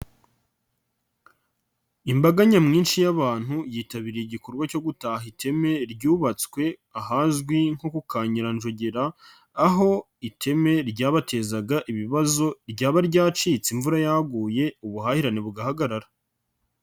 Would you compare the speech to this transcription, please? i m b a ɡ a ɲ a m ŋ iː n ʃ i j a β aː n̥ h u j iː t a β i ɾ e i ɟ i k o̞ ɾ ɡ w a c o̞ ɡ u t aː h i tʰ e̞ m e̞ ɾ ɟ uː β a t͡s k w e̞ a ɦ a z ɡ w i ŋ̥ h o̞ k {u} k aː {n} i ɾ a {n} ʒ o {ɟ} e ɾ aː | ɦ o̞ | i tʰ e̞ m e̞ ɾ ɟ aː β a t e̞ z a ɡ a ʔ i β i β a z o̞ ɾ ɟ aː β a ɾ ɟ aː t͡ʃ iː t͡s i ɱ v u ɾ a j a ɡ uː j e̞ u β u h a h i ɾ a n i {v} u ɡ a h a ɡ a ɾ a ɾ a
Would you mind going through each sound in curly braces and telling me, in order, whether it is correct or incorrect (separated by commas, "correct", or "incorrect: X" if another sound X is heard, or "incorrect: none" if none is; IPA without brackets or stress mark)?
correct, incorrect: ɲ, correct, correct, incorrect: β